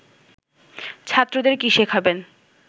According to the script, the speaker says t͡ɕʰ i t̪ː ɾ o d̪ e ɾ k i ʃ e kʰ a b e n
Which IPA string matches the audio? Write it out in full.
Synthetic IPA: t͡ɕʰ a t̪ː ɾ o d̪ e ɾ k i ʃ e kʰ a b e n